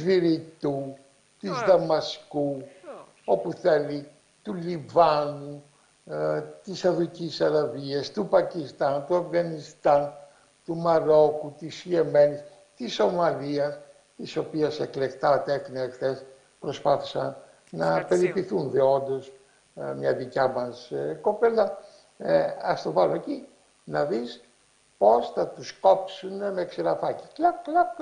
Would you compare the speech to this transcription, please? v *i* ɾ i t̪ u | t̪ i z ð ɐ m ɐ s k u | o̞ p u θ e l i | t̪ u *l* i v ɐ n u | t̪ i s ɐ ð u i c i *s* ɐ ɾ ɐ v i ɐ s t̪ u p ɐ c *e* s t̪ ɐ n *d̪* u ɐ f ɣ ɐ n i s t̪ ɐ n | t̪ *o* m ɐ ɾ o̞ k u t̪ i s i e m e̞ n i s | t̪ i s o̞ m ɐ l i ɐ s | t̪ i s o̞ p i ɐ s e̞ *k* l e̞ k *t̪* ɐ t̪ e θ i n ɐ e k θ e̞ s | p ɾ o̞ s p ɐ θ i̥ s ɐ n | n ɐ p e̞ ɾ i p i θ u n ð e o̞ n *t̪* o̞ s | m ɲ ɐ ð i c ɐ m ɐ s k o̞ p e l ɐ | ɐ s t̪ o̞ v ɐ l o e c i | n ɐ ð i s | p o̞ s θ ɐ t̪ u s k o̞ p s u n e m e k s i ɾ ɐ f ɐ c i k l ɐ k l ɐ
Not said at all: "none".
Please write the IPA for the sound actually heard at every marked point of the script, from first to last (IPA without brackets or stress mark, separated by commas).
i, l, s, i, t̪, u, k, t̪, d̪